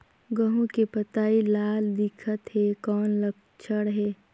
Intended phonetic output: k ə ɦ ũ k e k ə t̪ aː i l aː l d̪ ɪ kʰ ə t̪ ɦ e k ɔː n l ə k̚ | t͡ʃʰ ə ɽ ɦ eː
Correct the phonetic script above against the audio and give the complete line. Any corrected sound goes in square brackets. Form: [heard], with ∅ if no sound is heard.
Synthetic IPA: [ɡ] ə ɦ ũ k e [p] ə t̪ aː i l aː l d̪ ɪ kʰ ə t̪ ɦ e k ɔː n l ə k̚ | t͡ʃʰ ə ɽ ɦ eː